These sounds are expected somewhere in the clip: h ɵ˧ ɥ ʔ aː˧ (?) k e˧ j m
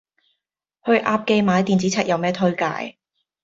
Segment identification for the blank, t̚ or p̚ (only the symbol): p̚